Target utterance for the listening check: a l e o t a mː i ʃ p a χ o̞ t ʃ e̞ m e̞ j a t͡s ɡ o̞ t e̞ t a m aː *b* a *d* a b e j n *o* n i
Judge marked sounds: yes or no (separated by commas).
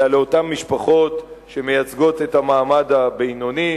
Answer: no, yes, yes